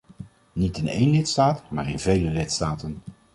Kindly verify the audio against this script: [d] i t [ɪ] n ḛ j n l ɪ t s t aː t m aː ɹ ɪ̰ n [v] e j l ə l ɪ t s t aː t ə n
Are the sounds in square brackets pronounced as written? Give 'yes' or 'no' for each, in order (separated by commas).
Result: no, yes, yes